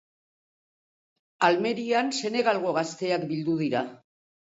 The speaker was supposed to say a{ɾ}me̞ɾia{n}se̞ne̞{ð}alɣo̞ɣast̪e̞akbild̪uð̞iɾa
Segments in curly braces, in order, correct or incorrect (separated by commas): incorrect, correct, incorrect